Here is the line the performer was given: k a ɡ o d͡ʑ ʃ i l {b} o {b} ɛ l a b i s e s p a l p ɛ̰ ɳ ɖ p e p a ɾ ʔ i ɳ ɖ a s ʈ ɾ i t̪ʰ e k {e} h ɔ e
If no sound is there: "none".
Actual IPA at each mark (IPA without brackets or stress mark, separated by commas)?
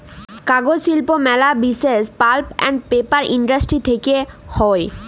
p, m, e